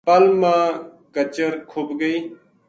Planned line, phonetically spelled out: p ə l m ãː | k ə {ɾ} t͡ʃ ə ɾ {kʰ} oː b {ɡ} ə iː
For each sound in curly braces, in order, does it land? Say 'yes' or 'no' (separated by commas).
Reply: no, yes, yes